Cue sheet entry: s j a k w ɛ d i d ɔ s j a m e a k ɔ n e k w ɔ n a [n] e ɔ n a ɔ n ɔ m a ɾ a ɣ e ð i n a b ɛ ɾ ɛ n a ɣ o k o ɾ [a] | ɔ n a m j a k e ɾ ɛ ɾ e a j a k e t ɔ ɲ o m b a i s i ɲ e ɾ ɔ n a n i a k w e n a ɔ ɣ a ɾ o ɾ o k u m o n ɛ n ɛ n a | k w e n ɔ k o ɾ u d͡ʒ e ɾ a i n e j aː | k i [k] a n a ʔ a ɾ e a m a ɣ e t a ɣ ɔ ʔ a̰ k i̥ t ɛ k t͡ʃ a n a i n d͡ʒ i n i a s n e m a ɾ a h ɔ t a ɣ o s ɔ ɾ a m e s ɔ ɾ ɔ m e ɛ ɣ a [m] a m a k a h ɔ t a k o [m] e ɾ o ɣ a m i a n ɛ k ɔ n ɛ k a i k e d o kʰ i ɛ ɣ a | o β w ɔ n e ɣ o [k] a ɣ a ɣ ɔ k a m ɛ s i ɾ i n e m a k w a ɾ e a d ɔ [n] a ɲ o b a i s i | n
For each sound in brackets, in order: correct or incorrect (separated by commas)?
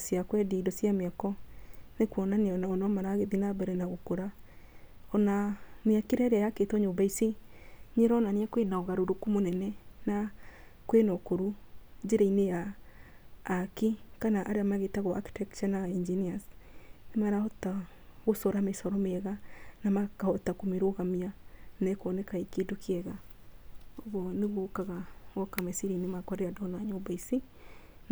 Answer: correct, correct, correct, incorrect, correct, correct, correct